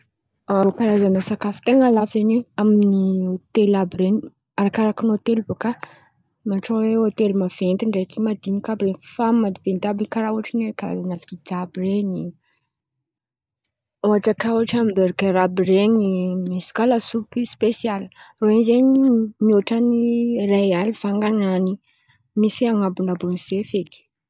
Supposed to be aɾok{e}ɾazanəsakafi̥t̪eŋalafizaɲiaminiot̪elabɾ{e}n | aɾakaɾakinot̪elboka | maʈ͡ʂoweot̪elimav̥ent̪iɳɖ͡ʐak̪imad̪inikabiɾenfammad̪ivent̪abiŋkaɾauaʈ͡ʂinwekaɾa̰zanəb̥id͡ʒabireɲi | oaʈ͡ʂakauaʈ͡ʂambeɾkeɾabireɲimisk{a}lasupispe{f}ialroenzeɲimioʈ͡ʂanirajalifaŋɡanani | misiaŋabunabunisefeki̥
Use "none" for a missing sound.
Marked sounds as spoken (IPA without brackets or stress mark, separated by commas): a, e, a, s